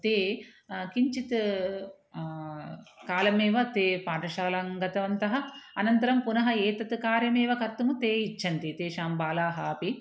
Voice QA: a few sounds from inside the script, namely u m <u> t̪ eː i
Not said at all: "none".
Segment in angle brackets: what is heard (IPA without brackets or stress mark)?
u